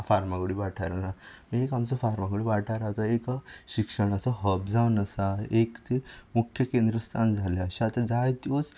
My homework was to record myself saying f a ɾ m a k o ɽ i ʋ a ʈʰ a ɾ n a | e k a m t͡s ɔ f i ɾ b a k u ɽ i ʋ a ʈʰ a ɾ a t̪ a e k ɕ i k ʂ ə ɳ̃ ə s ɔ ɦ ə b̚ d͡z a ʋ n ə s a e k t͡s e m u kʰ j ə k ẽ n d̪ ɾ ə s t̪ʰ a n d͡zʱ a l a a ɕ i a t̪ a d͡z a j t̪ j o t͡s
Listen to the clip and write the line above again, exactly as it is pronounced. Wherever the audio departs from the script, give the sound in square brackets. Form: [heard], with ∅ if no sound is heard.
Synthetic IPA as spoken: f a ɾ m a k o ɽ i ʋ a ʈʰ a ɾ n a | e k a m t͡s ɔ f [a] ɾ [m] a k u ɽ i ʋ a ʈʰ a ɾ a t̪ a e k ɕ i k ʂ ə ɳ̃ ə s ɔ ɦ ə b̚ d͡z a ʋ n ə s a e k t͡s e m u kʰ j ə k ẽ n d̪ ɾ ə s t̪ʰ a n d͡zʱ a l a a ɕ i a t̪ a d͡z a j t̪ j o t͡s